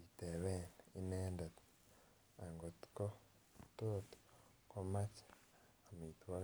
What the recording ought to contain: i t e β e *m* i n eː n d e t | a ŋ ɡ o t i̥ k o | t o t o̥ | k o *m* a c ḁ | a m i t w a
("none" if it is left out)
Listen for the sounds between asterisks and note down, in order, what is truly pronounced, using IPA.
n, m

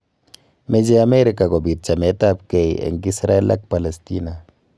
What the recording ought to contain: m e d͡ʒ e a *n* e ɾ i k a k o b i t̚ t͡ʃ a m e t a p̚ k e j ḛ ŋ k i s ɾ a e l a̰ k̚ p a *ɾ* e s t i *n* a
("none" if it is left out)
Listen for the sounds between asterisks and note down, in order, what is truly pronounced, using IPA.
m, l, n

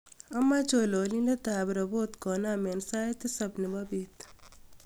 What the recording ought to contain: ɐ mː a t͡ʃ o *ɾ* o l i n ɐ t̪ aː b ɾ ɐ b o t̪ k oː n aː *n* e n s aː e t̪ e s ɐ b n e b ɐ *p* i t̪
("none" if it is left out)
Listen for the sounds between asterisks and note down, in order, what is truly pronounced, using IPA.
l, m, b

